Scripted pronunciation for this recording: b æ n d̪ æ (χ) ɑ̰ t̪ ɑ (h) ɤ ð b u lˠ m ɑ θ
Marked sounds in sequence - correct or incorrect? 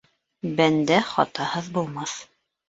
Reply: correct, correct

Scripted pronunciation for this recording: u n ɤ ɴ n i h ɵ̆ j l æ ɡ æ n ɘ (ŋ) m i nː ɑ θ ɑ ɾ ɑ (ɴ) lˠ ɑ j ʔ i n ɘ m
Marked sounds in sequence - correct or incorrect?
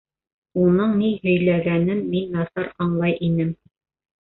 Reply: incorrect: n, correct

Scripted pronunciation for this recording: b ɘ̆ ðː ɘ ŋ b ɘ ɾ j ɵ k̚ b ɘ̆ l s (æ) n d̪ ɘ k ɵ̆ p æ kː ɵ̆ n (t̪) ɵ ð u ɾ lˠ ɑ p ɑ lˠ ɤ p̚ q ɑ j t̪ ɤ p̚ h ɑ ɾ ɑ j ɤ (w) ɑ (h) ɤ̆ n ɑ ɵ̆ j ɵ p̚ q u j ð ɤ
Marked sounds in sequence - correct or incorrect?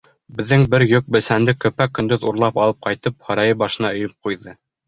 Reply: correct, incorrect: d̪, incorrect: b, incorrect: ʃ

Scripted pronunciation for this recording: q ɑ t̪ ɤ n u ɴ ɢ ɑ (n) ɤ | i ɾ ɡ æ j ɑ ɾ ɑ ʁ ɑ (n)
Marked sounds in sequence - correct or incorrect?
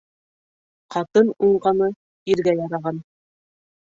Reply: correct, correct

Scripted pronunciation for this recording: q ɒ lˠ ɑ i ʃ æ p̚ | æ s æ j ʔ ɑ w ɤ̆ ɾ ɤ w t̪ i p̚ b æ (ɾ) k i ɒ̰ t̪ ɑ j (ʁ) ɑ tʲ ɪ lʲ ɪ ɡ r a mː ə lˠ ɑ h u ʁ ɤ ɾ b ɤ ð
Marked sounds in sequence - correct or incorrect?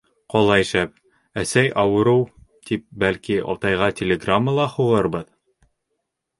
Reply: incorrect: l, correct

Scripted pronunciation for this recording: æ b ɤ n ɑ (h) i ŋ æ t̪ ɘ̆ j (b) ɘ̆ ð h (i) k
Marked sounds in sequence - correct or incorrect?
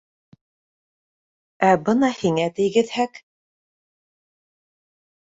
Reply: correct, incorrect: ɡ, incorrect: æ

